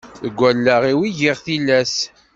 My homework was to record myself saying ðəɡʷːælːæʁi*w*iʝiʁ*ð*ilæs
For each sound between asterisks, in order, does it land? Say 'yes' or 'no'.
yes, no

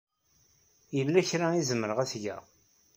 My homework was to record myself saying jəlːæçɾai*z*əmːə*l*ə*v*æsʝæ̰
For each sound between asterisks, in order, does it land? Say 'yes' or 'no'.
yes, no, no

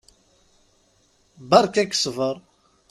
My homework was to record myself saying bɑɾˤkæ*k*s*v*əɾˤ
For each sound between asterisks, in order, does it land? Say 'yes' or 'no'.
yes, yes

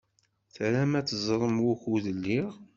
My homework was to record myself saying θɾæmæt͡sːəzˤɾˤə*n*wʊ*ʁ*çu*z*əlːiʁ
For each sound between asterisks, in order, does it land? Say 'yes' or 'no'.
no, no, no

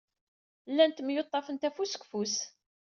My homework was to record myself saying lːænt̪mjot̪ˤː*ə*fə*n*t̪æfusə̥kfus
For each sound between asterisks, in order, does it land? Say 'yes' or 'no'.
no, yes

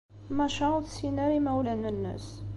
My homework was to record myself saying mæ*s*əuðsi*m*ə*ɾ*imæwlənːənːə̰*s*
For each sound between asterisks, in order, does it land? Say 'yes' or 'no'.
no, no, yes, yes

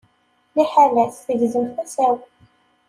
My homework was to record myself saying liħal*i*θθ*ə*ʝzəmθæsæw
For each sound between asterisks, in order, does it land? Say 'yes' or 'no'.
no, yes

